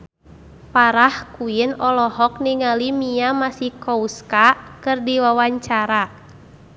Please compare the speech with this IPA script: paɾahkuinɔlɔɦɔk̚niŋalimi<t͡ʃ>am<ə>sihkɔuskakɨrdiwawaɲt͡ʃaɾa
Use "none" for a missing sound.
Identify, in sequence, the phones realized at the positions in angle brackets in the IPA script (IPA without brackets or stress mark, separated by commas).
none, a